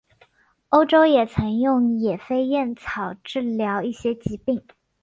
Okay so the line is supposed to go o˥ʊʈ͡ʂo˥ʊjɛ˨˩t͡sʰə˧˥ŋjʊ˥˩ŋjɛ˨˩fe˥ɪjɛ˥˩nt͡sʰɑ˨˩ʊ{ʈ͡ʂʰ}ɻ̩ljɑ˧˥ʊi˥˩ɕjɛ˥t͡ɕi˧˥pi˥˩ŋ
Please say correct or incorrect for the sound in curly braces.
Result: incorrect